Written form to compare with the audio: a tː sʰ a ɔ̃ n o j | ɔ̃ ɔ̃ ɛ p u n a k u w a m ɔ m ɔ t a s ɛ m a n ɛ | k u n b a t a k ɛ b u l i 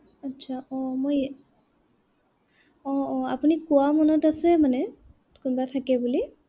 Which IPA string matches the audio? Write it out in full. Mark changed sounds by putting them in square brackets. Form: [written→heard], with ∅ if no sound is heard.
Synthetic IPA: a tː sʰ a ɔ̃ [n→m] o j | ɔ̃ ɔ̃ [ɛ→a] p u n [a→i] k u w a m ɔ [m→n] ɔ t a s ɛ m a n ɛ | k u n b a [t→tʰ] a k ɛ b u l i